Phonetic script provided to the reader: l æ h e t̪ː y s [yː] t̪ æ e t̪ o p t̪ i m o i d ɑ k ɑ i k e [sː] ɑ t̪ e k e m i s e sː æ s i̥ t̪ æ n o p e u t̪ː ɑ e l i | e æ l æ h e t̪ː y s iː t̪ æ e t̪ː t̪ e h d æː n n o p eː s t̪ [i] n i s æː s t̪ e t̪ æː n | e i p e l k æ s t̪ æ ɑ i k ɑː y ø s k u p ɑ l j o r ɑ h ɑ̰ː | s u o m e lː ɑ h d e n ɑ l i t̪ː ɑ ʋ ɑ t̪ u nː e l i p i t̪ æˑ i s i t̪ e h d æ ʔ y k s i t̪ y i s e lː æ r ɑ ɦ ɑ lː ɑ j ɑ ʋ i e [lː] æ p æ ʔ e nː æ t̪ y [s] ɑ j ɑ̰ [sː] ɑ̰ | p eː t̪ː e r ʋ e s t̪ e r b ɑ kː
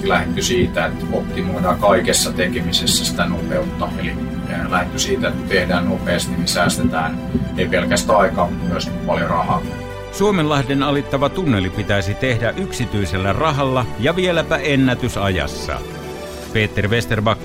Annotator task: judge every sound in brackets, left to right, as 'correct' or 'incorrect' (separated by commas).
incorrect, correct, correct, incorrect, correct, correct